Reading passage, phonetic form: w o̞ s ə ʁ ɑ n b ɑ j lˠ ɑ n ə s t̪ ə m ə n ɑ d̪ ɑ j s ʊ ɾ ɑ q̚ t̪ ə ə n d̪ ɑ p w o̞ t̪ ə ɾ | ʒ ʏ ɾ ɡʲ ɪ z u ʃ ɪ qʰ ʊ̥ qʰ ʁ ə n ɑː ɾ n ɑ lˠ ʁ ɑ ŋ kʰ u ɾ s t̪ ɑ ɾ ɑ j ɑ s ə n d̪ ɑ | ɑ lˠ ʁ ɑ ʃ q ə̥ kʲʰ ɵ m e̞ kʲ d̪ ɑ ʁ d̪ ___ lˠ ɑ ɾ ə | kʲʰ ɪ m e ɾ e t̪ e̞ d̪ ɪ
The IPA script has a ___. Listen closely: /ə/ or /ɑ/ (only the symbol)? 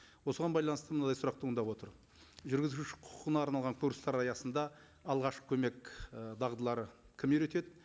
ə